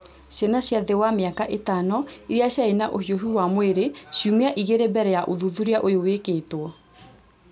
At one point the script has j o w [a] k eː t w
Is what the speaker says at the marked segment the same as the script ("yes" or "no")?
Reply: no